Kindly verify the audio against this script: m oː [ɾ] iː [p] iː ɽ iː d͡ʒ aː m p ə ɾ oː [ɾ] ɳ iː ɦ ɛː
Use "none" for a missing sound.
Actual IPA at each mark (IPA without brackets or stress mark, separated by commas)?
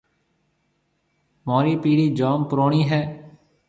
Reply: ɾ, p, none